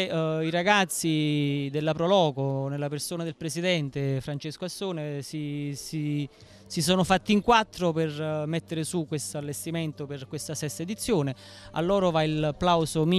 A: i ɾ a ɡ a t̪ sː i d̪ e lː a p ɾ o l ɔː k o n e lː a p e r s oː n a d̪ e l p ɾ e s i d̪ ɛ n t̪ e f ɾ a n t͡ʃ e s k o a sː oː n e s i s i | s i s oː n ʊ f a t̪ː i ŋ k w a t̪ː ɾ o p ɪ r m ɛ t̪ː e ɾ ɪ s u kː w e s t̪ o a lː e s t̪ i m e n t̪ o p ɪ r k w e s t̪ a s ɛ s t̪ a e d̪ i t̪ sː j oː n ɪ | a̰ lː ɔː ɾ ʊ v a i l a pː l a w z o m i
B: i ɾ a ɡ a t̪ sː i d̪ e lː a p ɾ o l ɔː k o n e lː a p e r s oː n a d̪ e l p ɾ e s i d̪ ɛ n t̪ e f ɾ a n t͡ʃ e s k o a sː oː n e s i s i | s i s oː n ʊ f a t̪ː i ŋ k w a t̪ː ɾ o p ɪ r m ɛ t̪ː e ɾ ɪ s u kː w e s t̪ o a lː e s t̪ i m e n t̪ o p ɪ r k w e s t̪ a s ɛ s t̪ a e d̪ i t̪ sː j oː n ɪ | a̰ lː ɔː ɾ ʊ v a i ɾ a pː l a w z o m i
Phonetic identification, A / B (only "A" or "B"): A